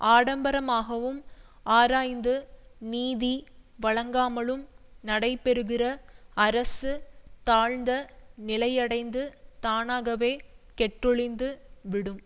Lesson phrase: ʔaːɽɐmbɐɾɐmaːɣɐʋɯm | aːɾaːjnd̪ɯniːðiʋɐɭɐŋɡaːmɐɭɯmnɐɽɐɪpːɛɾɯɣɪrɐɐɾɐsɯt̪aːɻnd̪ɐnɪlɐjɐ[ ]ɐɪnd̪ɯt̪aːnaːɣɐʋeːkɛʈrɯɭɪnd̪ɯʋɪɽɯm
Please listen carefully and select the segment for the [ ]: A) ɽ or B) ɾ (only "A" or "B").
A